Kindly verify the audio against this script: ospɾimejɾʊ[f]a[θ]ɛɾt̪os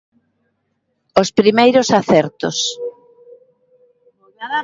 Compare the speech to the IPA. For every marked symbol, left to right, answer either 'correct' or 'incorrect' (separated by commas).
incorrect, correct